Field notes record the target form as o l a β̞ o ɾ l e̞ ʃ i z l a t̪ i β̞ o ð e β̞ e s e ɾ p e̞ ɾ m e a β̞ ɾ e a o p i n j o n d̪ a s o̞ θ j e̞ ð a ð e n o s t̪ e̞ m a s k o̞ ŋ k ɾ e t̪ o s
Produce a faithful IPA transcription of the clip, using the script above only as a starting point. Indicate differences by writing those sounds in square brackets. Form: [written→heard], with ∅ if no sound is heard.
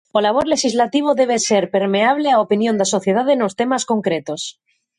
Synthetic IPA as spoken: o l a β̞ o ɾ l e̞ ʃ i z l a t̪ i β̞ o ð e β̞ e s e ɾ p e̞ ɾ m e a β̞ [ɾ→l] e a o p i n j o n d̪ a s o̞ θ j e̞ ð a ð e n o s t̪ e̞ m a s k o̞ ŋ k ɾ e t̪ o s